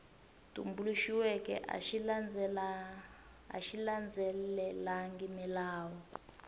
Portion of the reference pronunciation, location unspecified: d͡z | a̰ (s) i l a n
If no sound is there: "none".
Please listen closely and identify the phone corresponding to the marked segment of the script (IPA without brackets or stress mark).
ʃ